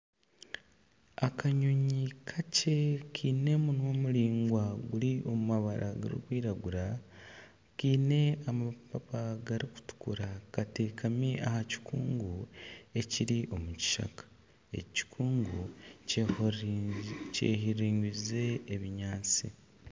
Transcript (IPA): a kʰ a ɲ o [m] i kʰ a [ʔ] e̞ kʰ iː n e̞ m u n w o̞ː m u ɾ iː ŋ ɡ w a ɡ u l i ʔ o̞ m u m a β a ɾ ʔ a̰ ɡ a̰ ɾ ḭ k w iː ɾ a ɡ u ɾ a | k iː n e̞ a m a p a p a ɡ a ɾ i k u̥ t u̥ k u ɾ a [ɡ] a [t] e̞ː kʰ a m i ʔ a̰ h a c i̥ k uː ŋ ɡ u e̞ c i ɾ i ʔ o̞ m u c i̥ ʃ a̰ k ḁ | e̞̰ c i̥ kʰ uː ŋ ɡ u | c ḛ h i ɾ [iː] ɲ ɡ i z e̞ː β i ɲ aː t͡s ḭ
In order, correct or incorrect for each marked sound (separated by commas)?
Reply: incorrect, incorrect, incorrect, correct, correct